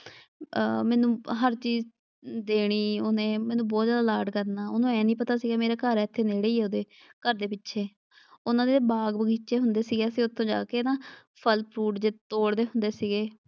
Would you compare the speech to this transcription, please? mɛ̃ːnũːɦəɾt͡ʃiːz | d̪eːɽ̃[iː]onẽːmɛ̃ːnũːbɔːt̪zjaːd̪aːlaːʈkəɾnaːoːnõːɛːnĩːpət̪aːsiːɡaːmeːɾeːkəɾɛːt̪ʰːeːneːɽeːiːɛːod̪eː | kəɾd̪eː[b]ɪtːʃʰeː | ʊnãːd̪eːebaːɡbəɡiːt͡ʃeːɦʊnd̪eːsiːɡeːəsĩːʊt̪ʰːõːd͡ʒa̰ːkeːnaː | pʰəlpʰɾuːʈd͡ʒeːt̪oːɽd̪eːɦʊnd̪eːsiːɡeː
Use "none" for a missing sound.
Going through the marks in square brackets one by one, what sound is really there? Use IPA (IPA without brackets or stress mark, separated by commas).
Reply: iː, p